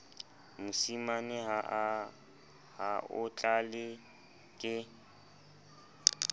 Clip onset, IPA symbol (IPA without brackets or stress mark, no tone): m